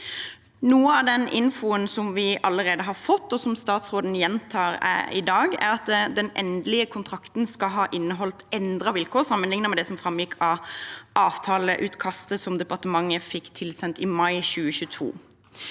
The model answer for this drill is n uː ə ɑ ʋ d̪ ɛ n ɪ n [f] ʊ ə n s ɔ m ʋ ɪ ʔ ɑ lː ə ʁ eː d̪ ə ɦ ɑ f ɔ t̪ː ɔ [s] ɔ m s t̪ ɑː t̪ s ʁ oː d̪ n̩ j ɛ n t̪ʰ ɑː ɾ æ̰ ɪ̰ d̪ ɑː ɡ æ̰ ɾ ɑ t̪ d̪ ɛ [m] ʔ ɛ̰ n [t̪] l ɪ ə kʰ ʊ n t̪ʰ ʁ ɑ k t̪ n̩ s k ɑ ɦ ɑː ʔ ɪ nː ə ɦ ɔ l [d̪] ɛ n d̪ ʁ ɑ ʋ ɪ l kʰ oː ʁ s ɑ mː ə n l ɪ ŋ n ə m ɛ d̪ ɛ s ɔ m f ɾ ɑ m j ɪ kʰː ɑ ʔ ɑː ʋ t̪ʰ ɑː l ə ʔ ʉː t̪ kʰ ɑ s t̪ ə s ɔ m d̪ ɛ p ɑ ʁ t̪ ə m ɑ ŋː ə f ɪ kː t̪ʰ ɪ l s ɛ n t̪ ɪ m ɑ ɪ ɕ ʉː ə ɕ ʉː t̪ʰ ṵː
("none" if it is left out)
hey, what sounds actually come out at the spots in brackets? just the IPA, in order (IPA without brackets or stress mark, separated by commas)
f, s, n, d̪, t̪